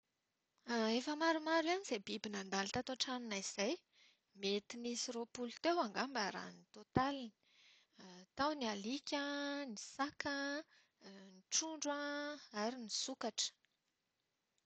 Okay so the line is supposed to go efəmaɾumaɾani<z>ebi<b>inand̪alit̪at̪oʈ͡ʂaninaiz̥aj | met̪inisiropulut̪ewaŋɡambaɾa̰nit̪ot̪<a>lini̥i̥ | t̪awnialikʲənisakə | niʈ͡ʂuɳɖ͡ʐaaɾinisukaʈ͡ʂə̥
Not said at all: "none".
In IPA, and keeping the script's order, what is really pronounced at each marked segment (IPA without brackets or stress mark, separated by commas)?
z, b, a